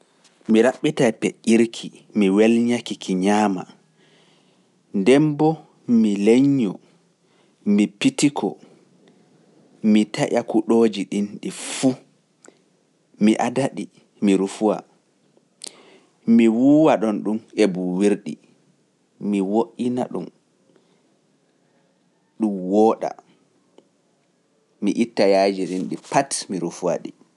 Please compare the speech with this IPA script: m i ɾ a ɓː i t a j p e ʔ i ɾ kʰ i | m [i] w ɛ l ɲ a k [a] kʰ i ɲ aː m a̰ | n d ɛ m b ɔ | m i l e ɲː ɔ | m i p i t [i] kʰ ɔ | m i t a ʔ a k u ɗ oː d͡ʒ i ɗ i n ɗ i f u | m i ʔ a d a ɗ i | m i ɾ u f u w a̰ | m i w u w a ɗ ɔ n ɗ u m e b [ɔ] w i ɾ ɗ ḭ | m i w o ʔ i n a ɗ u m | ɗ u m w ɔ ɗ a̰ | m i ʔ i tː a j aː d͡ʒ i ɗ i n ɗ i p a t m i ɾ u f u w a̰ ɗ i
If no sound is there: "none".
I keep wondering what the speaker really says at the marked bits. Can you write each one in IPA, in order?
i, i, i, u

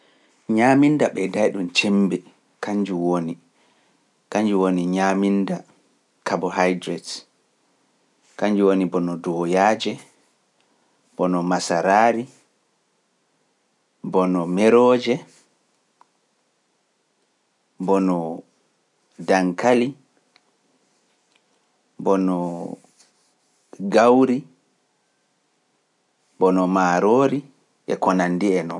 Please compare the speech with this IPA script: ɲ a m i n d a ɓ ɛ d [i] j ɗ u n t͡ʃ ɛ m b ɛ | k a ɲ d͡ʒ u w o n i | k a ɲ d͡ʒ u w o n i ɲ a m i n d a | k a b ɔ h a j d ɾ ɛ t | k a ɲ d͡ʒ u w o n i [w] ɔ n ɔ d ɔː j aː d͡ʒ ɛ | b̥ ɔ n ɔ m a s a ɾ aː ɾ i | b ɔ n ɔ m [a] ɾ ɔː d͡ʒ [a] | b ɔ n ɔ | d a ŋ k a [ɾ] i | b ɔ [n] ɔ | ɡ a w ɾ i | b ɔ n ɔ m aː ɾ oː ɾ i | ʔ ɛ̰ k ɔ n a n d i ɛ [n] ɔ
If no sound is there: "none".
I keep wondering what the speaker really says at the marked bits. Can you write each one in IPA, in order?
a, b, ɛ, ɛ, l, n, n

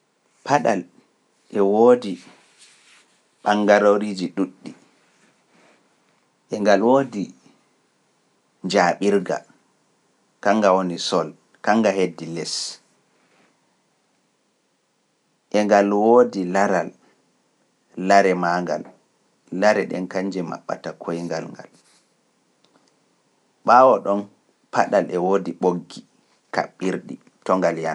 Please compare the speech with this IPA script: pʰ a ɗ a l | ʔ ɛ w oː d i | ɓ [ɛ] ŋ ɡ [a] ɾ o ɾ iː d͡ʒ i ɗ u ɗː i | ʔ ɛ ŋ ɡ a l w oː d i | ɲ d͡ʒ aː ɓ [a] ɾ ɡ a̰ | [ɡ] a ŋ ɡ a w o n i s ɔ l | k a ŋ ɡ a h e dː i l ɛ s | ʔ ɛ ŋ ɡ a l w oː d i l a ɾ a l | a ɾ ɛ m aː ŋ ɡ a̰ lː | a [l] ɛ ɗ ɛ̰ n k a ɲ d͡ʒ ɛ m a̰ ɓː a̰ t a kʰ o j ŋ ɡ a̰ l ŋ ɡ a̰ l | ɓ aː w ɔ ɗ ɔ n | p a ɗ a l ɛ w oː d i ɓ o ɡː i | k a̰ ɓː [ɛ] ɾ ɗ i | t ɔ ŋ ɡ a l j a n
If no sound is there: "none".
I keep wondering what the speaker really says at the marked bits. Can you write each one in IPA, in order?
a, a, i, k, ɾ, i

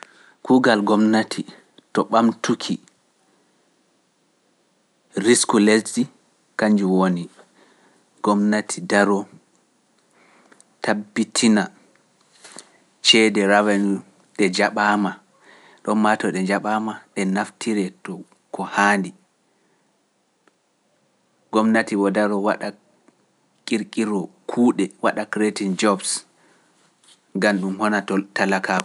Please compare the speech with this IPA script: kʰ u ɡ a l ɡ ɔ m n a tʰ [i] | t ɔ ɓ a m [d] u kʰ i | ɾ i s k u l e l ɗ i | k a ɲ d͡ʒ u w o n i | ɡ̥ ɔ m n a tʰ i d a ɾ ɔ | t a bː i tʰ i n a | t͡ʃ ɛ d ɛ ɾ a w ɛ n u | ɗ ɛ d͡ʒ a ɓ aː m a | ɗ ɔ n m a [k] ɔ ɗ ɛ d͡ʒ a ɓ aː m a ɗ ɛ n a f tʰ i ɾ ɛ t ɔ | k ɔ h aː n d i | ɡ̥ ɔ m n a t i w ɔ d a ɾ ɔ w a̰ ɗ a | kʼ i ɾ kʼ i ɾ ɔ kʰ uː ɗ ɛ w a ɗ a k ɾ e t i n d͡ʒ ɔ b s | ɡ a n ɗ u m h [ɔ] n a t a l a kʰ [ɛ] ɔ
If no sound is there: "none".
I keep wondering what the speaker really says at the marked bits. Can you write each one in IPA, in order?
i, t, t, ɔ, a

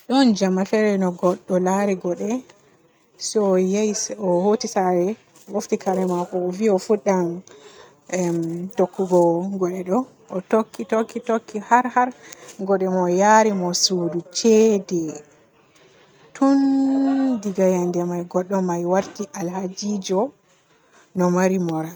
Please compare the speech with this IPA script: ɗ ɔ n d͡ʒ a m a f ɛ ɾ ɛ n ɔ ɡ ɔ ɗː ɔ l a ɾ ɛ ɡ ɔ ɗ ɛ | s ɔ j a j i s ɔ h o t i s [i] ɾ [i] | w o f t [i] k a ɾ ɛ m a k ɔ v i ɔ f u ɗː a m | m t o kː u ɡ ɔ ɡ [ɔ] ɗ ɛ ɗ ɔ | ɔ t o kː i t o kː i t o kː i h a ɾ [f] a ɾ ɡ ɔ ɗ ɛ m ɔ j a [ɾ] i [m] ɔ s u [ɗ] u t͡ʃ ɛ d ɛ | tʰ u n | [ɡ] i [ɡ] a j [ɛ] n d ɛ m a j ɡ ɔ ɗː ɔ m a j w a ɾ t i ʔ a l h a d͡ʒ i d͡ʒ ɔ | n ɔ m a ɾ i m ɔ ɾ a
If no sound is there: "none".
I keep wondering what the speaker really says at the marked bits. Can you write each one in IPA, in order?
a, ɛ, i, ɔ, h, ɾ, m, d, d, ɡ, a

